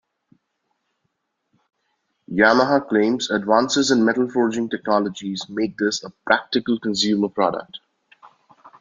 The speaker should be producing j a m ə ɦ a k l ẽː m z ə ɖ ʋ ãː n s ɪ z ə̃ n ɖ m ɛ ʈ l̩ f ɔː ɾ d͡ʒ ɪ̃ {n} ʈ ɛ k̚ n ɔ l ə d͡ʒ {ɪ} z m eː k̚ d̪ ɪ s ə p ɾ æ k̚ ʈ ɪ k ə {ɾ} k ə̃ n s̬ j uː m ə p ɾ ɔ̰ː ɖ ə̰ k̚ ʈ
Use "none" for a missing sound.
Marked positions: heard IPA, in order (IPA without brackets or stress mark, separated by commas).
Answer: ŋ, i, l